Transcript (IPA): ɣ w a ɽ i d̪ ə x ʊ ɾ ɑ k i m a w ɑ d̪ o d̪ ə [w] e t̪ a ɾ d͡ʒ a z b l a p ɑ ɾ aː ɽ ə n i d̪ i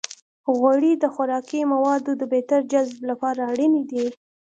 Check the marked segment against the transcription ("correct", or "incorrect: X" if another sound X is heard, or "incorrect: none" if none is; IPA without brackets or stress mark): incorrect: b